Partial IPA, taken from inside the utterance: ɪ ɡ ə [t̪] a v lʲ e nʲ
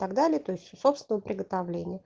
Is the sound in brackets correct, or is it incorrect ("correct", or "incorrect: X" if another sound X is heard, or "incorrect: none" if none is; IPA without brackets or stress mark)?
correct